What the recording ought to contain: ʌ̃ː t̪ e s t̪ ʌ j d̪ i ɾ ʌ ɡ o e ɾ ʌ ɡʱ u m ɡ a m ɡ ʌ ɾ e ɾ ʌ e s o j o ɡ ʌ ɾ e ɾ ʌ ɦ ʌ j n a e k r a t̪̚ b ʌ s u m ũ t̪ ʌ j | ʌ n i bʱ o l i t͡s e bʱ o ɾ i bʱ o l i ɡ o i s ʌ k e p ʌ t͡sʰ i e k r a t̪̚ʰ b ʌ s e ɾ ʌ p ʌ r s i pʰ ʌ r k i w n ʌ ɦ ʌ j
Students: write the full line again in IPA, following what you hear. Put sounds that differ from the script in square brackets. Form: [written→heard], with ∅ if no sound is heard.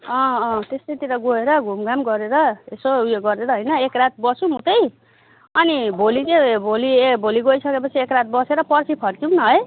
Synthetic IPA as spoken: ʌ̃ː t̪ e s t̪ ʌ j [d̪→t̪] i ɾ ʌ ɡ o e ɾ ʌ ɡʱ u m ɡ a m ɡ ʌ ɾ e ɾ ʌ e s o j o ɡ ʌ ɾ e ɾ ʌ ɦ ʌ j n [a→ʌ] e k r a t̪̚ b ʌ s u m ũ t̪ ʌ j | ʌ n i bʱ o l i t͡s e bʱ o [ɾ→l] i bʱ o l i ɡ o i s ʌ k e p ʌ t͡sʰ i e k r a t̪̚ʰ b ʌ s e ɾ ʌ p ʌ r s i pʰ ʌ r k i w n ʌ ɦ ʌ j